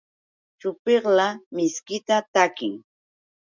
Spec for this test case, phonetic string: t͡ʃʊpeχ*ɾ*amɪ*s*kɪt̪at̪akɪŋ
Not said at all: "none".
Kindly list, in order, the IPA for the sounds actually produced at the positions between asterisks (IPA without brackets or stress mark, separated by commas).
l, s